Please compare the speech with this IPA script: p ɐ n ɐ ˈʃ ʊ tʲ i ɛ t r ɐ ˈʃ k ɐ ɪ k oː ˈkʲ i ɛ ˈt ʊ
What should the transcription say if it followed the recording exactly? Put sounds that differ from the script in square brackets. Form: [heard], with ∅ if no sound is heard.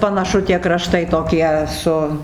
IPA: p ɐ n ɐ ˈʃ ʊ tʲ i ɛ [k] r ɐ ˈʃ [t] ɐ ɪ [t] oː ˈkʲ i ɛ [ˈs] ʊ